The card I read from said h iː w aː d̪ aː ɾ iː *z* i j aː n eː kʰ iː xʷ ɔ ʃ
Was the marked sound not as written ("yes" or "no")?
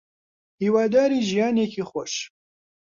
yes